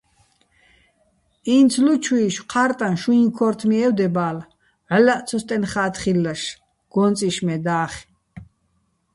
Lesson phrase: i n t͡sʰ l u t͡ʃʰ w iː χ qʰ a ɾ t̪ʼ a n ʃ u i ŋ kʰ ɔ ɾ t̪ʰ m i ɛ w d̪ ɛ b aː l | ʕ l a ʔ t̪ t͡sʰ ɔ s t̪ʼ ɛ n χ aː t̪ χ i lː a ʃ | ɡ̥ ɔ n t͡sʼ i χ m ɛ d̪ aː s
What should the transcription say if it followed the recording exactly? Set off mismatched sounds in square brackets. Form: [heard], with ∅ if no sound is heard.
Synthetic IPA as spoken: i n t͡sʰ l u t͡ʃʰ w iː [ʃ] qʰ a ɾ t̪ʼ a n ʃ u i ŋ kʰ ɔ ɾ t̪ʰ m i ɛ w d̪ ɛ b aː l | ʕ l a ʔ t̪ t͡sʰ ɔ s t̪ʼ ɛ n χ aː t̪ χ i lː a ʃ | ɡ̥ ɔ n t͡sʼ i [ʃ] m ɛ d̪ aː [χ]